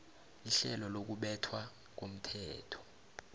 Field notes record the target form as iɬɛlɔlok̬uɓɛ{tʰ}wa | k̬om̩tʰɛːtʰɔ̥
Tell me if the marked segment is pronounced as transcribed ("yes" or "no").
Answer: yes